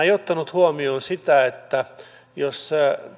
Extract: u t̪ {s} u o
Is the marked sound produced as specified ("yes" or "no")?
no